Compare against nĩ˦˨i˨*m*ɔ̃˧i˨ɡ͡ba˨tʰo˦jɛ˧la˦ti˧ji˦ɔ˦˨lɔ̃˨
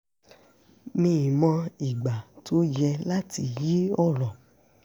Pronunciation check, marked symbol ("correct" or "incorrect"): correct